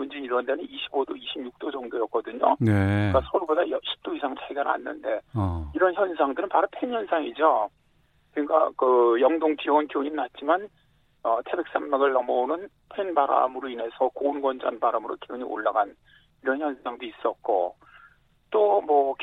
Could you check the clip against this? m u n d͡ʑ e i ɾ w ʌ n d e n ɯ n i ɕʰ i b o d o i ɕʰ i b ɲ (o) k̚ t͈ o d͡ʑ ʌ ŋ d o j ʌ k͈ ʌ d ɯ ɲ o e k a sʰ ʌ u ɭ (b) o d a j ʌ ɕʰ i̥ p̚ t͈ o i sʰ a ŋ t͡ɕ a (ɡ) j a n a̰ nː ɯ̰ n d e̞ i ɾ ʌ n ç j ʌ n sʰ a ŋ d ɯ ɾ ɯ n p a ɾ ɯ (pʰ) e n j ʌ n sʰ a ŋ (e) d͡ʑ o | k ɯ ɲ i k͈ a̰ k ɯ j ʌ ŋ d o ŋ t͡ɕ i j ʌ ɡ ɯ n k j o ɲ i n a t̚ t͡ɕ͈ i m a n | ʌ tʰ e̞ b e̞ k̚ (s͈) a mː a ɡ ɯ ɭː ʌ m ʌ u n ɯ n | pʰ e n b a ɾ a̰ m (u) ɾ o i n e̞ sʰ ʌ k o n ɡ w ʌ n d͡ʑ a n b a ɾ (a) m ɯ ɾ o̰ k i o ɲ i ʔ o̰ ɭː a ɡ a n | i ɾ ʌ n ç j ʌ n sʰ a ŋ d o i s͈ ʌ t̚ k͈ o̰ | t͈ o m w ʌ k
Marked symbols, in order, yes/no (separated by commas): no, yes, yes, yes, no, yes, no, yes